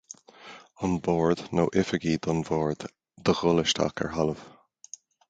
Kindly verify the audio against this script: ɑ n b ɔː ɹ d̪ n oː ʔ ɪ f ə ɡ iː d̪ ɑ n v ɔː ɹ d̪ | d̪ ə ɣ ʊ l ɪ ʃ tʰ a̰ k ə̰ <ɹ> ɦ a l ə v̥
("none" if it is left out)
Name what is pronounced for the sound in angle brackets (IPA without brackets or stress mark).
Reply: ɹ